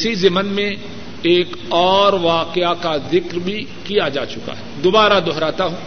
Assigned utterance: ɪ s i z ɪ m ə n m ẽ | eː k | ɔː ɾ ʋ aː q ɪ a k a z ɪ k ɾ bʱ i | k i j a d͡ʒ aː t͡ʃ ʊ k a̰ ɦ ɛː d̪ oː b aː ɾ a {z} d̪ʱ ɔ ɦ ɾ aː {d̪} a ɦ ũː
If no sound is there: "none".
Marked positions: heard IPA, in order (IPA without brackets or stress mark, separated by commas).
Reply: none, t̪